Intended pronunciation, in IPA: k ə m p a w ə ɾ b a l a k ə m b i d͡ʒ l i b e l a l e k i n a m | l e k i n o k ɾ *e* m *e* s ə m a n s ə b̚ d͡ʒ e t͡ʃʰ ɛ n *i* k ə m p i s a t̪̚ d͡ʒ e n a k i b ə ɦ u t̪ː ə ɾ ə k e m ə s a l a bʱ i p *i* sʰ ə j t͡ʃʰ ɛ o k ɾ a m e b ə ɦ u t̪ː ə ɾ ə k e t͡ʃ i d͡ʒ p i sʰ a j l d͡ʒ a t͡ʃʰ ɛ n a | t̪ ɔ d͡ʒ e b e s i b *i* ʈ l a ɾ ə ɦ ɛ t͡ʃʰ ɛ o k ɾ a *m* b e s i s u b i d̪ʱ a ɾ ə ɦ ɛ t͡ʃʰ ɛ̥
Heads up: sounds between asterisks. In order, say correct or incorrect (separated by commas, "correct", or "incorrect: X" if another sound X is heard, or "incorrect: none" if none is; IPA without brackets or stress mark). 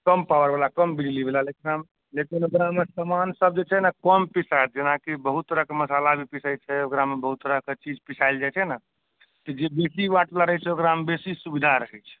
incorrect: a, correct, incorrect: a, correct, incorrect: a, correct